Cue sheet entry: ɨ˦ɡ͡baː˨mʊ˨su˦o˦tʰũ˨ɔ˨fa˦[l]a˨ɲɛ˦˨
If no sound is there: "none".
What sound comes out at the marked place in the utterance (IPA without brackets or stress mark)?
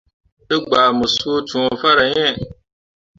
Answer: ɾ